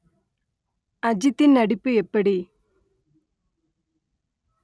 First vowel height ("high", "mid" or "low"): low